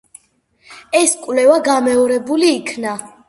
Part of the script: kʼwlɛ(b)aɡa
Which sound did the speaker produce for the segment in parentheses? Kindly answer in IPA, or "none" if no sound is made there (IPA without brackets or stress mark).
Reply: v